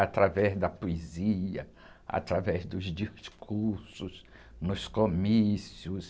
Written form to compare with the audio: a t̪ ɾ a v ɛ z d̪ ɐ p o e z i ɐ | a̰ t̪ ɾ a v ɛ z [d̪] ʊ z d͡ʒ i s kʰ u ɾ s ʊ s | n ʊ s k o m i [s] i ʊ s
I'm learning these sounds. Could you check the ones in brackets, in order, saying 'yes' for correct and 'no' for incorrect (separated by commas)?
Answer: yes, yes